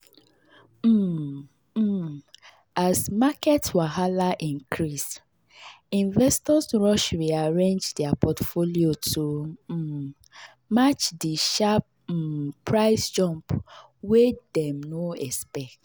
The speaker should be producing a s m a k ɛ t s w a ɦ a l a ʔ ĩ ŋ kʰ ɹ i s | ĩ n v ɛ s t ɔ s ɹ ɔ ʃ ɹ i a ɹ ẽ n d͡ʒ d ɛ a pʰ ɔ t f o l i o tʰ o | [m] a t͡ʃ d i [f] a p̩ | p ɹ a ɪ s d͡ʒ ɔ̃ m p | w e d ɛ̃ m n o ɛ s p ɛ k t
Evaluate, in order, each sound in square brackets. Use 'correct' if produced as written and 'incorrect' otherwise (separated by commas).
correct, incorrect